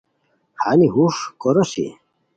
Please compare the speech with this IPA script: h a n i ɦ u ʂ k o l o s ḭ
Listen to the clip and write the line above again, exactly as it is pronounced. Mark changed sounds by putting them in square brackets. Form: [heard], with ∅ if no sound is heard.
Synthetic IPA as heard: h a n i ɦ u ʂ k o [ɾ] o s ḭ